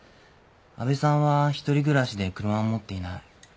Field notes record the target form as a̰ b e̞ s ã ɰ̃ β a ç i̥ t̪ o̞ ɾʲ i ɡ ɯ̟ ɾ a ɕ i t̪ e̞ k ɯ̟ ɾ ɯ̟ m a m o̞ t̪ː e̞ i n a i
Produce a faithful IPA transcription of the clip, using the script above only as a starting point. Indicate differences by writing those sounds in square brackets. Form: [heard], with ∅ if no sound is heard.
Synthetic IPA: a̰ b e̞ s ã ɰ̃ β a ç i̥ t̪ o̞ ɾʲ i ɡ ɯ̟ ɾ a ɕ i [d̪] e̞ k ɯ̟ ɾ ɯ̟ m a m o̞ t̪ː e̞ i n a i